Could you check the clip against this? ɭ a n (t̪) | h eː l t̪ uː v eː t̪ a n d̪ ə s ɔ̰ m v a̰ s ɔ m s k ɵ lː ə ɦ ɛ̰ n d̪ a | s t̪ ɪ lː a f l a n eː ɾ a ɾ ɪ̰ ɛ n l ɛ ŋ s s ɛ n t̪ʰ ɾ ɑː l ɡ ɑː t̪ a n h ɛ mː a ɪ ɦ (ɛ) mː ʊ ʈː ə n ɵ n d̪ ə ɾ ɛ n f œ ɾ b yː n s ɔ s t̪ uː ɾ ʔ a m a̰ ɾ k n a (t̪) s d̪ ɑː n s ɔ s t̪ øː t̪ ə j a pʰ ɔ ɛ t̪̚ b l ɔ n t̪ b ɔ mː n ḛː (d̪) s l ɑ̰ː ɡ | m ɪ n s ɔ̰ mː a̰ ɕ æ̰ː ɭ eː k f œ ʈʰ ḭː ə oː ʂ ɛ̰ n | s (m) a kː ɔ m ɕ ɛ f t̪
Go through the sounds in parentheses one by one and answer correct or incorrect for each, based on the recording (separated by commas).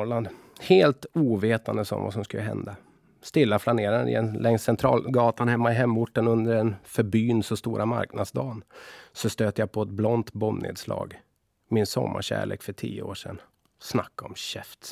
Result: incorrect, correct, incorrect, correct, incorrect